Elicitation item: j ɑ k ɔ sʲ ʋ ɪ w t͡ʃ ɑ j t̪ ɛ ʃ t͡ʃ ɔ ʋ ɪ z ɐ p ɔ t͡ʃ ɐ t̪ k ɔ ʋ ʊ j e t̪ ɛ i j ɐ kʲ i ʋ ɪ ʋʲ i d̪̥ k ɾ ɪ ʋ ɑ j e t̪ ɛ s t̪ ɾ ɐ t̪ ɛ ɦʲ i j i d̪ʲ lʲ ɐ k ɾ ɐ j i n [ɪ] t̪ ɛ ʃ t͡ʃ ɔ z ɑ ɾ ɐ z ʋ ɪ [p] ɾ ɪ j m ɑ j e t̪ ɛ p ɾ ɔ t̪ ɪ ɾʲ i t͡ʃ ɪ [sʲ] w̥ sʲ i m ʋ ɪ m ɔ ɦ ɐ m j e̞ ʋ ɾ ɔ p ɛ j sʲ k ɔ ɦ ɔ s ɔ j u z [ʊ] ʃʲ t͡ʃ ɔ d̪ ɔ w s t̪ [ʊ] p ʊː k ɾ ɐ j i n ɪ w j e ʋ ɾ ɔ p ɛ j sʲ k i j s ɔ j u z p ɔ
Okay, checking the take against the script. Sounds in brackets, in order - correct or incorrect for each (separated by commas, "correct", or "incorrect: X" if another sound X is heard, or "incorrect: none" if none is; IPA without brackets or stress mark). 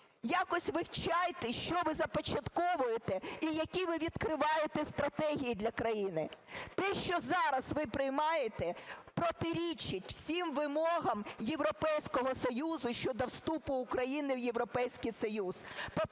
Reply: correct, correct, incorrect: tʲ, correct, incorrect: u